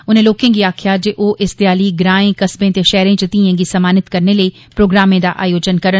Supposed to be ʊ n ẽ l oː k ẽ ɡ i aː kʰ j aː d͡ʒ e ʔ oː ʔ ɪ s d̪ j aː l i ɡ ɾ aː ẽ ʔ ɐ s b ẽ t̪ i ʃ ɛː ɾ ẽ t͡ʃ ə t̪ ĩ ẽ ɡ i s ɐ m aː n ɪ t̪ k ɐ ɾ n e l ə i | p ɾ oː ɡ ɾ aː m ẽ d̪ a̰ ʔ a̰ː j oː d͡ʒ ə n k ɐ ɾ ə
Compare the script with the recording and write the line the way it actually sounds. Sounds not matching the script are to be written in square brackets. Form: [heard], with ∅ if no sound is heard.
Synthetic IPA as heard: ʊ n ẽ l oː k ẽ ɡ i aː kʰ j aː d͡ʒ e ʔ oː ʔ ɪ s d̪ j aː l i ɡ ɾ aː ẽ [k] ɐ s b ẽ t̪ [e] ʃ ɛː ɾ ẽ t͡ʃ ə t̪ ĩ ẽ ɡ i s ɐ m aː n ɪ t̪ k ɐ ɾ n e l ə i | p ɾ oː ɡ ɾ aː m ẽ d̪ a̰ ʔ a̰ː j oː d͡ʒ ə n k ɐ ɾ ə

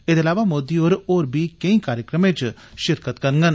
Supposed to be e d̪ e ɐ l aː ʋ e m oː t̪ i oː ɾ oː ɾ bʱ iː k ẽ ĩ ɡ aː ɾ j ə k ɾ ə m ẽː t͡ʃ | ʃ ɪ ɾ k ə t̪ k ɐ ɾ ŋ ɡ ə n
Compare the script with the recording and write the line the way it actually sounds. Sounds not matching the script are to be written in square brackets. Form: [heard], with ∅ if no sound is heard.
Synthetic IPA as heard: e d̪ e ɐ l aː ʋ [a] m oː [d̪] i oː ɾ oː ɾ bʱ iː k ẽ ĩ [k] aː ɾ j ə k ɾ ə m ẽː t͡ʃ | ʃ ɪ ɾ k ə t̪ k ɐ ɾ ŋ ɡ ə n

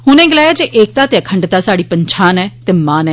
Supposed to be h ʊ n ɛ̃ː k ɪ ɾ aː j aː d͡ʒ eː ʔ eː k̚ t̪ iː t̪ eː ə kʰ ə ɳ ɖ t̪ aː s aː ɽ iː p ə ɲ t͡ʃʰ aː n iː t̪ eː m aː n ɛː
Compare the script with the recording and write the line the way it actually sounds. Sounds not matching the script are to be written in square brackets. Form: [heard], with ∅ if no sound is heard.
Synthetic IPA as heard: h ʊ n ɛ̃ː [ɡ] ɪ [l] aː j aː d͡ʒ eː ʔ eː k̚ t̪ [aː] t̪ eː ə kʰ ə ɳ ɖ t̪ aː s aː ɽ iː p ə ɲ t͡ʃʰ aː n [ɛː] t̪ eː m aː n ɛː

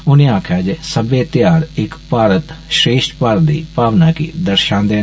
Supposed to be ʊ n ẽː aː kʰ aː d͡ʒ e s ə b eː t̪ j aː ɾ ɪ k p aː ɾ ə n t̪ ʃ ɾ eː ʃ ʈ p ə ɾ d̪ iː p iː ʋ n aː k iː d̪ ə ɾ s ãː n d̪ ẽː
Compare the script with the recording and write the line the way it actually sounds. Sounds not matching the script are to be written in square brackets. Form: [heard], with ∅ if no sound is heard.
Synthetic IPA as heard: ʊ n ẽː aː kʰ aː d͡ʒ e s ə b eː t̪ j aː ɾ ɪ k p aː ɾ ə [∅] t̪ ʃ ɾ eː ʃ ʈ p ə ɾ d̪ iː p [aː] ʋ n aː k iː d̪ ə ɾ [ʃ] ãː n d̪ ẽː

